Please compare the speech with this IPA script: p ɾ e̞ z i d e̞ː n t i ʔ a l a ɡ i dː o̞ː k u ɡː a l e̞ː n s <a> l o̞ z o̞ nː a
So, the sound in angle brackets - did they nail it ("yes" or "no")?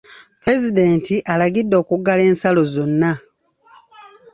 yes